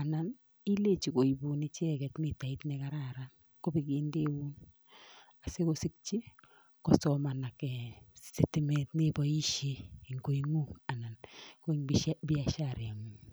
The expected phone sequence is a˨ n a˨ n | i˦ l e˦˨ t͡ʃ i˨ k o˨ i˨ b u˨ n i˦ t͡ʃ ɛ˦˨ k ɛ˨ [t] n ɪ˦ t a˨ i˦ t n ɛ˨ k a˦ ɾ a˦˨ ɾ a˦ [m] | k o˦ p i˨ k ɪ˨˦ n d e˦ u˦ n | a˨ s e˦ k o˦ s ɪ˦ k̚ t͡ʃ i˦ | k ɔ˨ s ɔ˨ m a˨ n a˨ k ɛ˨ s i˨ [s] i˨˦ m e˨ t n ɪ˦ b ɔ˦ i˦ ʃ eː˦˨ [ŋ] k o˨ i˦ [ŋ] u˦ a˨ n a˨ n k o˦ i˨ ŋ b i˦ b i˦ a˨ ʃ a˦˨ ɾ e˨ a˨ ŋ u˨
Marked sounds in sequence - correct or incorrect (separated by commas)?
correct, incorrect, incorrect, correct, correct